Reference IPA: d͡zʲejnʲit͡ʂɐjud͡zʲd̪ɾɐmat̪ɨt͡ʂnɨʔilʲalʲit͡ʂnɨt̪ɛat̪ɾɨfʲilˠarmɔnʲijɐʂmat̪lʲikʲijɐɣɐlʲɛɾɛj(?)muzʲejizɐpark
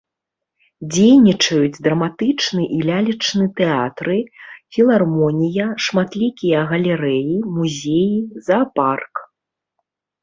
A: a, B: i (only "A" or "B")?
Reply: B